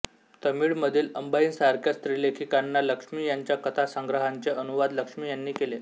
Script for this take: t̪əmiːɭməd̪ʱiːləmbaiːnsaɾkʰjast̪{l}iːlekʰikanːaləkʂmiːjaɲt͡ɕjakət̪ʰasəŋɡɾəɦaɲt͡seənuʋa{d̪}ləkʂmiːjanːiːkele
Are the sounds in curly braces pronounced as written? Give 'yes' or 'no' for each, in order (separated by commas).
no, yes